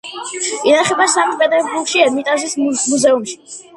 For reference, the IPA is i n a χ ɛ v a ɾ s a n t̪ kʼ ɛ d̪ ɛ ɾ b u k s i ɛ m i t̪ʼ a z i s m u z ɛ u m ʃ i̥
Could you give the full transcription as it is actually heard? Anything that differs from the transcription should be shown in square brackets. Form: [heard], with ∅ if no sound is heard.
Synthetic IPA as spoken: i n a χ ɛ [b] a [∅] s a [m] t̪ [pʼ] ɛ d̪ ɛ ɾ b u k [ʃ] i ɛ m i t̪ʼ a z i s m u z ɛ u m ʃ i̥